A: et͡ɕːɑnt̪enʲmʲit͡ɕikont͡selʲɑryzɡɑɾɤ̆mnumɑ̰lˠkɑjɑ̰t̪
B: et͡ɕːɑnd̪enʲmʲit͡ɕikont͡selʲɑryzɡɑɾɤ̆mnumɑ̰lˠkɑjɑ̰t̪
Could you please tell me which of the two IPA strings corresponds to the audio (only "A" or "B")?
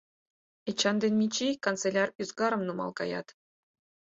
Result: B